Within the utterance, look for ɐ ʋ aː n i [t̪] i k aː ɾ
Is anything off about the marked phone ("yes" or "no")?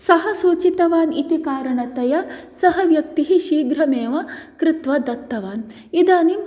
no